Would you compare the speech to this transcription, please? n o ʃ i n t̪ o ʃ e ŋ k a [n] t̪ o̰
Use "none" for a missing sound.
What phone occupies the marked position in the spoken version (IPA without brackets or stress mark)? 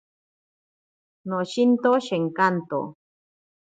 n